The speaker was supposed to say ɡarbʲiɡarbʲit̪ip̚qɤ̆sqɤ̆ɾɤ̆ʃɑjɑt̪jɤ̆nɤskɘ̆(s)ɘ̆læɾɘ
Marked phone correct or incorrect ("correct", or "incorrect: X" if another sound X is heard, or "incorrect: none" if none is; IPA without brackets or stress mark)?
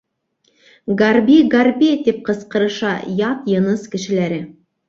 incorrect: ʃ